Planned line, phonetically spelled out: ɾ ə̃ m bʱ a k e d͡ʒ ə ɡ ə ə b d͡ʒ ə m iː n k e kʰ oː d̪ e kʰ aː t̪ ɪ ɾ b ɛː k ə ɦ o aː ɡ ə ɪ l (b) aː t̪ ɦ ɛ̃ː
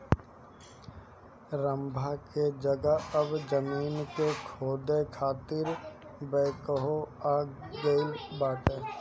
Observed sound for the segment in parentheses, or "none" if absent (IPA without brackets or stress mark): b